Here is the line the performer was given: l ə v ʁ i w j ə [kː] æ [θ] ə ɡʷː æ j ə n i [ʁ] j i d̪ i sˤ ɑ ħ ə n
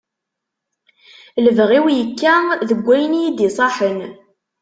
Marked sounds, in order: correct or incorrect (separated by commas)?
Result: correct, incorrect, incorrect